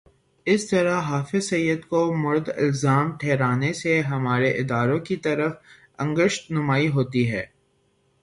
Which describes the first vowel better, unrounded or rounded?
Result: unrounded